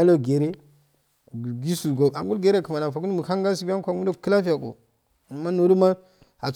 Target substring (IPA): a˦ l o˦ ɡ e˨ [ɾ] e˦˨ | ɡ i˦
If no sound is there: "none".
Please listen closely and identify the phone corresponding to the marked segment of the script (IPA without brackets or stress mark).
ɾ